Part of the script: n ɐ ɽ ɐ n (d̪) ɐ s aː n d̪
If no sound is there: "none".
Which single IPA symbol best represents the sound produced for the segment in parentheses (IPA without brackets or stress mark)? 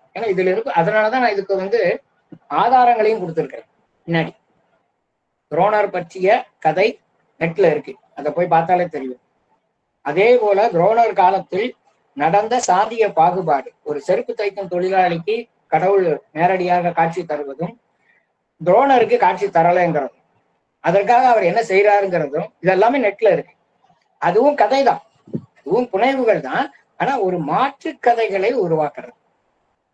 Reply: d̪